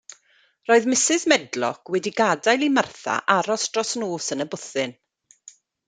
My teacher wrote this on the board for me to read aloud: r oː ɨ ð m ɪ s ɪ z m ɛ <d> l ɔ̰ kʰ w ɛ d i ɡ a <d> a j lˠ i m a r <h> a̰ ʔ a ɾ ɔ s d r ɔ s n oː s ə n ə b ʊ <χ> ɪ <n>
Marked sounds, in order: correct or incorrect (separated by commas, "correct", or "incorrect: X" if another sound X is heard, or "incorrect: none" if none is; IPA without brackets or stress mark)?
correct, correct, incorrect: θ, incorrect: θ, correct